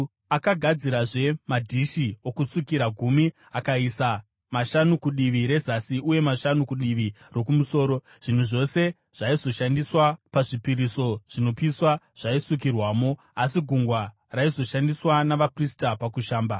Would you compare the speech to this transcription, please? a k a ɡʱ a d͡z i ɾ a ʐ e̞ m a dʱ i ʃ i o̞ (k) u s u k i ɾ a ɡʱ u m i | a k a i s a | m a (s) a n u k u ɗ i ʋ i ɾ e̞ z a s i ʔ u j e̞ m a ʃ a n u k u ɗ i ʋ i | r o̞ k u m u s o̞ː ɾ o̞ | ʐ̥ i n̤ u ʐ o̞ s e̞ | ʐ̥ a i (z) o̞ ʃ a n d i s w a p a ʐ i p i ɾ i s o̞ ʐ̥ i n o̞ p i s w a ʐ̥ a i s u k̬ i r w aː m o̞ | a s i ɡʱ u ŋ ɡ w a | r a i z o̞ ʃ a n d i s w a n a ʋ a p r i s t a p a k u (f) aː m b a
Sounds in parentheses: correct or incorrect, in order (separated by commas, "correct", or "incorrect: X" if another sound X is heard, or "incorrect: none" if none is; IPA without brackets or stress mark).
correct, incorrect: ʃ, correct, incorrect: ʃ